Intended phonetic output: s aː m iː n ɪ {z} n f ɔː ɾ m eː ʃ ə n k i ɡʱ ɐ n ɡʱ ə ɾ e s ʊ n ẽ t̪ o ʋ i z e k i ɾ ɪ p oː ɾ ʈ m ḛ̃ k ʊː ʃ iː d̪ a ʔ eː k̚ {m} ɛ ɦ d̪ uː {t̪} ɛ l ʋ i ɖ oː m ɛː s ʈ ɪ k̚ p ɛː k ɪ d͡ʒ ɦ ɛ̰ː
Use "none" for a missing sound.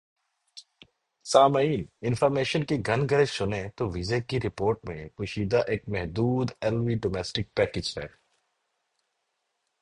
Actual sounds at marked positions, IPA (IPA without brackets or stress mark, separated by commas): none, m, d̪